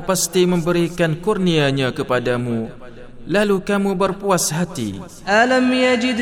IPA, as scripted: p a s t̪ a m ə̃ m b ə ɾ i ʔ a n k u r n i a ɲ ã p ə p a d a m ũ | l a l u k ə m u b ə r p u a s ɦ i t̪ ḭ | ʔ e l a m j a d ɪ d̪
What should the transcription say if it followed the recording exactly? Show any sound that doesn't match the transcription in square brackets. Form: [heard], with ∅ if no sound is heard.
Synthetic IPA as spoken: p a s t̪ [i] m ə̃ m b ə ɾ i [k] a n k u r n i a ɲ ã [k] ə p a d a m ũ | l a l u k [a] m u b ə r p u a s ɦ [a] t̪ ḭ | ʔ [a] l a m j a [d͡ʒ] ɪ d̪